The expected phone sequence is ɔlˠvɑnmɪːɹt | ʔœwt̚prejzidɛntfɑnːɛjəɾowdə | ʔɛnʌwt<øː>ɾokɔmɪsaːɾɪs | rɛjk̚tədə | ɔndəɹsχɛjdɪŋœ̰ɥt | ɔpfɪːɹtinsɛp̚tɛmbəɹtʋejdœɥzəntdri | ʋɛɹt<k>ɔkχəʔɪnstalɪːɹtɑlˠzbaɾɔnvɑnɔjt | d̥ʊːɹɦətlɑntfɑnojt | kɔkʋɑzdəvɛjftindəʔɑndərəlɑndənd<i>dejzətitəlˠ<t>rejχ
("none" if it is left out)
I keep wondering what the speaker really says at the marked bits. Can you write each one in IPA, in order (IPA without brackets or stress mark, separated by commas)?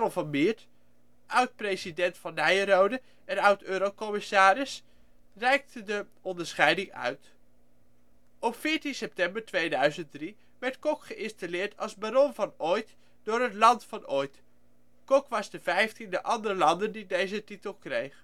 øː, k, i, k